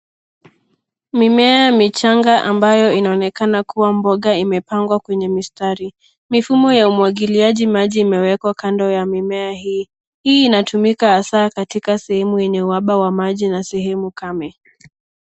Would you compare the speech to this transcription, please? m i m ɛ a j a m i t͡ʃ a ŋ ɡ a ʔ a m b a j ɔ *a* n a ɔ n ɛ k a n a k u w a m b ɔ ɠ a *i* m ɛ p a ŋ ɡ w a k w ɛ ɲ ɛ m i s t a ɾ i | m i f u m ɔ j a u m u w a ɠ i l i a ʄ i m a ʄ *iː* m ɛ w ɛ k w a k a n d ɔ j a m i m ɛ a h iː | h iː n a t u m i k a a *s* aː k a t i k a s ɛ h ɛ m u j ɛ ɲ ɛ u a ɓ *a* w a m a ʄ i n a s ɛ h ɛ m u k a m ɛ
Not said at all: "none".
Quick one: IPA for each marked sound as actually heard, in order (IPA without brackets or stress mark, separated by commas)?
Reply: i, i, iː, s, a